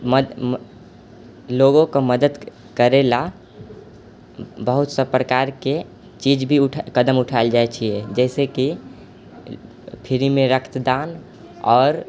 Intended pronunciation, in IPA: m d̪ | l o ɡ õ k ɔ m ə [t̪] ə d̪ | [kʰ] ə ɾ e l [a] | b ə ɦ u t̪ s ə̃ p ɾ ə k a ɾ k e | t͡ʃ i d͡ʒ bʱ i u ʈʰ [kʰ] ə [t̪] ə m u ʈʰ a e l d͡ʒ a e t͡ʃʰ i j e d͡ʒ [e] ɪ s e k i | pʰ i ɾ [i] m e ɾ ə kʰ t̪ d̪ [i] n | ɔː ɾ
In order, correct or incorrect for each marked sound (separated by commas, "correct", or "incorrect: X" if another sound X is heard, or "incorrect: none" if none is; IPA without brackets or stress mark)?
incorrect: d̪, incorrect: k, correct, incorrect: k, incorrect: d̪, incorrect: ɛ, correct, incorrect: a